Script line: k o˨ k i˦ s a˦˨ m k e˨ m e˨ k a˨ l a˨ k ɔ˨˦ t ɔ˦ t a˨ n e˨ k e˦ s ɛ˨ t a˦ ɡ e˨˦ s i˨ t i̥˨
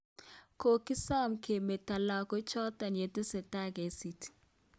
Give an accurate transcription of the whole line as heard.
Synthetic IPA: k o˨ k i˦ s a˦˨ m k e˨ m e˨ t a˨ l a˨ k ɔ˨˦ t͡ʃ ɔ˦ t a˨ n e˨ t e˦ s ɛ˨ t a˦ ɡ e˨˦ s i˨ t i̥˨